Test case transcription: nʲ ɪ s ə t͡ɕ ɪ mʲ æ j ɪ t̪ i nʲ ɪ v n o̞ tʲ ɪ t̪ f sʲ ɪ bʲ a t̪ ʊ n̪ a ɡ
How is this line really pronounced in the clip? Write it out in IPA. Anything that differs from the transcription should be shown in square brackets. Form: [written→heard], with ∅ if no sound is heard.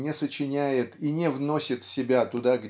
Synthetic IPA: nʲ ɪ s ə t͡ɕ ɪ [mʲ→nʲ] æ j ɪ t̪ i nʲ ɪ v n o̞ [tʲ→sʲ] ɪ t̪ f sʲ ɪ bʲ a t̪ ʊ [n̪→d̪] a ɡ